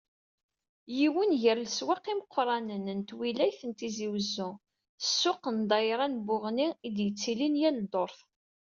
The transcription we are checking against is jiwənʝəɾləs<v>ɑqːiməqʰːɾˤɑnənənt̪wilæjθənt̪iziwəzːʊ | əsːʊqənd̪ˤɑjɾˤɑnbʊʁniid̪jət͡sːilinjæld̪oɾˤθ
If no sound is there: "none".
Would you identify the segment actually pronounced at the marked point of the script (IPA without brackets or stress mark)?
w